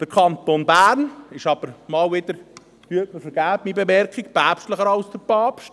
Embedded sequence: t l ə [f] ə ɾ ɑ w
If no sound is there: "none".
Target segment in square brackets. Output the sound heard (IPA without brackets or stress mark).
χ